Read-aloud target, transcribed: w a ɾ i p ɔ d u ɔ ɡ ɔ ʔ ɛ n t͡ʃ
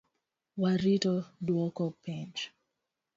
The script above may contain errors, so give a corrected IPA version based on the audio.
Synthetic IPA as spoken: w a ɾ i t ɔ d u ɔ k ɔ p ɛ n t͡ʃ